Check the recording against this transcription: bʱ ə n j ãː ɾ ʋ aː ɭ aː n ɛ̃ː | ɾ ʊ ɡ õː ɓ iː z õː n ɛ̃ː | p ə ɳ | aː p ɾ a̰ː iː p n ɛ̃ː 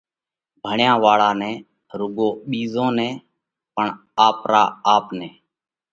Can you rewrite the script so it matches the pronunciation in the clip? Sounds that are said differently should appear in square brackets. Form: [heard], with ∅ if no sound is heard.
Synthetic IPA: bʱ ə [ɳ] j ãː [∅] ʋ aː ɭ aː n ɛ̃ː | ɾ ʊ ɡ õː ɓ iː z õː n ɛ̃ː | p ə ɳ | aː p ɾ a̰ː [aː] p n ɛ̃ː